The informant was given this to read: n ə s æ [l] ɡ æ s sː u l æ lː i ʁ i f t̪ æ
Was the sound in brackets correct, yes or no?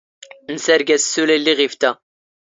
no